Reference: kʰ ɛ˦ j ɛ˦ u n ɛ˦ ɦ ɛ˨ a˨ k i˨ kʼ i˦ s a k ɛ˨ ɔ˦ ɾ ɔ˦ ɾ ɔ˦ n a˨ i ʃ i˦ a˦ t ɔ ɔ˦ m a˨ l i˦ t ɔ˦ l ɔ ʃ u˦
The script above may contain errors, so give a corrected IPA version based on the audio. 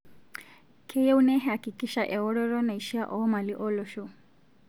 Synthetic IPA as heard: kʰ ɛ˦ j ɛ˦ u n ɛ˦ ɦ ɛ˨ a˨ k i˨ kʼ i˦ ʃ a ʔ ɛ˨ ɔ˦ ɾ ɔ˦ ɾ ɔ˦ n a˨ i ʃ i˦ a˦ ʔ ɔ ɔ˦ m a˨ l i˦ ʔ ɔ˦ l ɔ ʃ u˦